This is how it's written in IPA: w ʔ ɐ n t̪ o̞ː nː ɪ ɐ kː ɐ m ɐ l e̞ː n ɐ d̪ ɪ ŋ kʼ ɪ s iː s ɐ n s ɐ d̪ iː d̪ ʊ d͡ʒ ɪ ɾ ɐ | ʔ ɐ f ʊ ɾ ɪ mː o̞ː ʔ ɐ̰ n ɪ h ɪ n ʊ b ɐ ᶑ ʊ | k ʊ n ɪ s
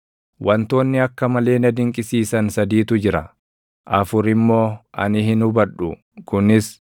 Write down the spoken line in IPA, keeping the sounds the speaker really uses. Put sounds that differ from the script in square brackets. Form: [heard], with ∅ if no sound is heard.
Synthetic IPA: w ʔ ɐ n t̪ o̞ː nː ɪ ɐ kː ɐ m ɐ l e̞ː n ɐ d̪ ɪ ŋ kʼ ɪ s iː s ɐ n s ɐ d̪ iː [t̪] ʊ d͡ʒ ɪ ɾ ɐ | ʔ ɐ f ʊ ɾ ɪ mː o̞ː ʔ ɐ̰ n ɪ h ɪ n ʊ b ɐ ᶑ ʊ | k ʊ n ɪ s

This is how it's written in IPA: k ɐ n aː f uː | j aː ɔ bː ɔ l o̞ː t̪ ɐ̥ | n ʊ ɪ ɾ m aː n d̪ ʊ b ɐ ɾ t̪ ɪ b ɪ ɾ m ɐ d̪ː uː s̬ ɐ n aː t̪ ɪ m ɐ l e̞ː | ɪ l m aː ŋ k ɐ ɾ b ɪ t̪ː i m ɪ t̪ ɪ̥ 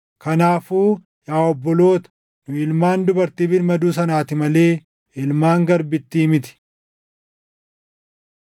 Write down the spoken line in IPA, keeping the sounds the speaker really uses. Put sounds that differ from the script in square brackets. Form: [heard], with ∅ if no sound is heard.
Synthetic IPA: k ɐ n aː f uː | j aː ɔ bː ɔ l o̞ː t̪ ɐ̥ | n ʊ ɪ [l] m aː n d̪ ʊ b ɐ ɾ t̪ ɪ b ɪ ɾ m ɐ [d̪] uː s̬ ɐ n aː t̪ ɪ m ɐ l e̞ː | ɪ l m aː ŋ [ɡ] ɐ ɾ b ɪ t̪ː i m ɪ t̪ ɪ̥

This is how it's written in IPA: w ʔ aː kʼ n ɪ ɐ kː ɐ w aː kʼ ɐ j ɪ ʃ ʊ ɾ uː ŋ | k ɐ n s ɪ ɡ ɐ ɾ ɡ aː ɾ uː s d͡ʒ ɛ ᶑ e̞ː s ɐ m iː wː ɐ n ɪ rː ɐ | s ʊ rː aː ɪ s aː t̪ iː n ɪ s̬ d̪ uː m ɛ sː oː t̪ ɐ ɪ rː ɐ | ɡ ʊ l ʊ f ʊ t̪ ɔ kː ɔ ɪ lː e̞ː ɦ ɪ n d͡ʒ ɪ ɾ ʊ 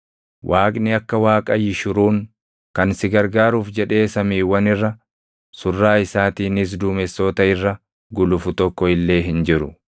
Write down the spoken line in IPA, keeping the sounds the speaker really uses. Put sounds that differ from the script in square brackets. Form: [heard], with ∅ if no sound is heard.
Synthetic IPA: w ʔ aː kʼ n ɪ ɐ kː ɐ w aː kʼ ɐ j ɪ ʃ ʊ ɾ uː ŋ | k ɐ n s ɪ ɡ ɐ ɾ ɡ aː ɾ uː [f] d͡ʒ ɛ ᶑ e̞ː s ɐ m iː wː ɐ n ɪ rː ɐ | s ʊ rː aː ɪ s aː t̪ iː n ɪ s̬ d̪ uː m ɛ sː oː t̪ ɐ ɪ rː ɐ | ɡ ʊ l ʊ f ʊ t̪ ɔ kː ɔ ɪ lː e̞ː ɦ ɪ n d͡ʒ ɪ ɾ ʊ

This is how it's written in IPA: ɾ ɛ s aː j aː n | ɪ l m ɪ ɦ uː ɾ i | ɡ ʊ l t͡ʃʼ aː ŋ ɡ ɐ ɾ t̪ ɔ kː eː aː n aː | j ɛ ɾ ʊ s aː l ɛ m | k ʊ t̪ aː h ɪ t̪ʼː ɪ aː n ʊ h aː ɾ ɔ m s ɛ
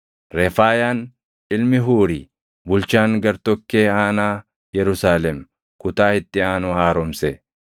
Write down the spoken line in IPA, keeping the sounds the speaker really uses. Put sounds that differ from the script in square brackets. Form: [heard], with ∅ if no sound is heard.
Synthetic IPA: ɾ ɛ [f] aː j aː n | ɪ l m ɪ ɦ uː ɾ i | [b] ʊ l [t͡ʃ] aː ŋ ɡ ɐ ɾ t̪ ɔ kː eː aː n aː | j ɛ ɾ ʊ s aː l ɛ m | k ʊ t̪ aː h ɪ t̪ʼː ɪ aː n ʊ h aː ɾ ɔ m s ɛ

